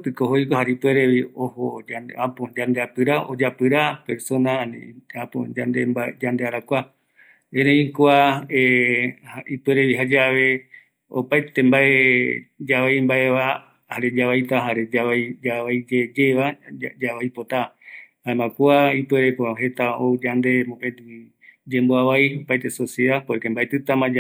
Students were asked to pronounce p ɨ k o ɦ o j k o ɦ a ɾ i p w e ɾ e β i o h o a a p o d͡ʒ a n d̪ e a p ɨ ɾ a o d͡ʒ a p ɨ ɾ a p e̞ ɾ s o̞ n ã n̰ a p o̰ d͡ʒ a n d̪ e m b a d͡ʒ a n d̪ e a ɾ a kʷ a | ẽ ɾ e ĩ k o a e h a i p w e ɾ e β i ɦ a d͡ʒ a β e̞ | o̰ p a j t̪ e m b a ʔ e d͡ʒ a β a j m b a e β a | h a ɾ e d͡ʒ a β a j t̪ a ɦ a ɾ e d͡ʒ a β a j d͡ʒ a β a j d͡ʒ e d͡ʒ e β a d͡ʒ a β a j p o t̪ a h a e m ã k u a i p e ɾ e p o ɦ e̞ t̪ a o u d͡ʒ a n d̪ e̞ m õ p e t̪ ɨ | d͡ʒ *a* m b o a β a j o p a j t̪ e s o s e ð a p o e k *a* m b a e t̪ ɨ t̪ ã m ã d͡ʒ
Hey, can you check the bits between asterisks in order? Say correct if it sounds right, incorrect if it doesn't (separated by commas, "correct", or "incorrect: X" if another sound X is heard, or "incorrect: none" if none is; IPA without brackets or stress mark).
incorrect: e, incorrect: e